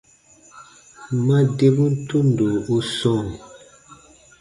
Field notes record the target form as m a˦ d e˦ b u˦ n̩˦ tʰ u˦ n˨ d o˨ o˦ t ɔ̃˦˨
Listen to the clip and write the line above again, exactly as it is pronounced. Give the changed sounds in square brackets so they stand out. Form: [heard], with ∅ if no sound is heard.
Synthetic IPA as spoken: m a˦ d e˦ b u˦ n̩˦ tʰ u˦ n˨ d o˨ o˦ [s] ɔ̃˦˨